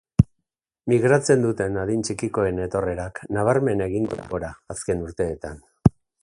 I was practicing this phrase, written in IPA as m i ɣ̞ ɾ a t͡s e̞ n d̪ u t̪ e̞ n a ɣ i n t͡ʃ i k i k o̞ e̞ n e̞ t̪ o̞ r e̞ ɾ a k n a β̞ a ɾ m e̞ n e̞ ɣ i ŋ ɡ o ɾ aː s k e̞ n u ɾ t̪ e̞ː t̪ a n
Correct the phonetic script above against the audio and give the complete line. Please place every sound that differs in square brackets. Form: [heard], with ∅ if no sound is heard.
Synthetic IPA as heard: m i ɣ̞ ɾ a t͡s e̞ n d̪ u t̪ e̞ n a [ð] i n t͡ʃ i k i k o̞ e̞ n e̞ t̪ o̞ r e̞ ɾ a k n a β̞ a ɾ m e̞ n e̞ ɣ i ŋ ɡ o ɾ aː s k e̞ n u ɾ t̪ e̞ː t̪ a n